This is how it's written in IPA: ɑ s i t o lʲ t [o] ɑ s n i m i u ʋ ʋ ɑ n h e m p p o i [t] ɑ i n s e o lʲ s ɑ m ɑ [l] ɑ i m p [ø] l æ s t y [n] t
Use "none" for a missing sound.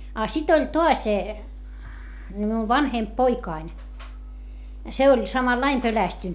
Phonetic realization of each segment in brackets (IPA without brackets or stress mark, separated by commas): o, k, lː, ø, n